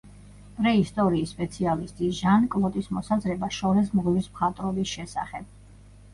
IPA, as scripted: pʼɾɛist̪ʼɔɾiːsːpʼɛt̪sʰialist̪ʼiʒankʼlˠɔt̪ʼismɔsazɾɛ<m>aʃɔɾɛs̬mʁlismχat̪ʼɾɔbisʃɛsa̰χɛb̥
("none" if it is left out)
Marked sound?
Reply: b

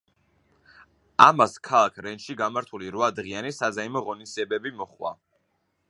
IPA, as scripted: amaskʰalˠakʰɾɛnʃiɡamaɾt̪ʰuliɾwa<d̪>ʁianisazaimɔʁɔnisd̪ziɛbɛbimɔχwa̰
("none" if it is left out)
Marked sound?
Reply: d̪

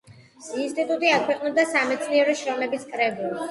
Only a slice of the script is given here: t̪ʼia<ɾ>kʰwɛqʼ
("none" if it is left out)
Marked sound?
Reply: none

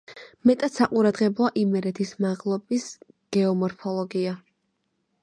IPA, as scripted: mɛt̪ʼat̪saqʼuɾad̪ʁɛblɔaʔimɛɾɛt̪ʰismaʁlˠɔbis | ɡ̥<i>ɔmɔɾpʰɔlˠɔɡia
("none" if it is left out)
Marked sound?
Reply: ɛ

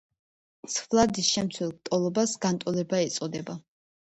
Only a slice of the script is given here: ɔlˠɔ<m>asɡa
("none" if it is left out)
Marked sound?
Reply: b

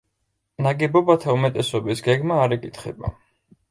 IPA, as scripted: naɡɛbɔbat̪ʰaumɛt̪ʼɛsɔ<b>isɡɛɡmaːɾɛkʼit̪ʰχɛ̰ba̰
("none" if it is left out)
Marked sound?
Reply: b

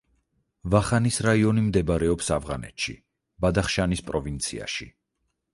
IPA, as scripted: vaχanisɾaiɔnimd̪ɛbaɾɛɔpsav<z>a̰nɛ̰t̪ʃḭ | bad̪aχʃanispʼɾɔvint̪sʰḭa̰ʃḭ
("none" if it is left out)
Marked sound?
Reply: ʁ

